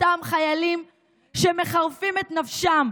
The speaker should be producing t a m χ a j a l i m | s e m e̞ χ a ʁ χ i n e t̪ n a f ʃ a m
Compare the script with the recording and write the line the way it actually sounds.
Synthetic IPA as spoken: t a m χ a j a l i m | ʃ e m e̞ χ a ʁ f i m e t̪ n a f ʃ a m